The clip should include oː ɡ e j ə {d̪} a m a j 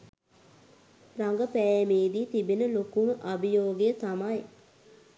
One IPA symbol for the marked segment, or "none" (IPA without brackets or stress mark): t̪